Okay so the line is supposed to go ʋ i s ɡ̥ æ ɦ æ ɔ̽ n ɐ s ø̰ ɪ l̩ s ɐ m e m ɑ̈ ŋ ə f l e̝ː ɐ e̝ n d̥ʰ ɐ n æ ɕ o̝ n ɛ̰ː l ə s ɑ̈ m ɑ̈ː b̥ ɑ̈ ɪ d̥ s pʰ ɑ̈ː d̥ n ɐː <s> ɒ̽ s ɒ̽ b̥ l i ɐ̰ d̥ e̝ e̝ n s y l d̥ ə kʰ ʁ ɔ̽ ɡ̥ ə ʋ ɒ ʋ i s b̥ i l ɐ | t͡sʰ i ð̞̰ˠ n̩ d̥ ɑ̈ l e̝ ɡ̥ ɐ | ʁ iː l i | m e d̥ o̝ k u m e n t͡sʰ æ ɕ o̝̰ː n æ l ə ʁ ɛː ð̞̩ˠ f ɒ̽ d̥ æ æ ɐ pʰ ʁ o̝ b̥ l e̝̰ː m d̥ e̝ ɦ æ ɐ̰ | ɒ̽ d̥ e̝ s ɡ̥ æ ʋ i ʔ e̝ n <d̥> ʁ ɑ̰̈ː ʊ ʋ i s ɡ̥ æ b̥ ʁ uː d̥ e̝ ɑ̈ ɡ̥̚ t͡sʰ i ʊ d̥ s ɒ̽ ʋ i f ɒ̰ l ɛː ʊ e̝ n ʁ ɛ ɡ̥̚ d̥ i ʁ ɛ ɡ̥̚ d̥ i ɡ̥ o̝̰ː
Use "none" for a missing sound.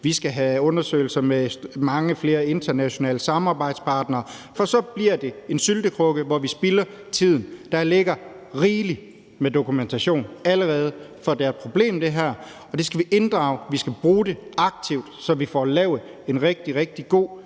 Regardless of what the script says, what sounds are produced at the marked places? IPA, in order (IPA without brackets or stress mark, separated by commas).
f, d̥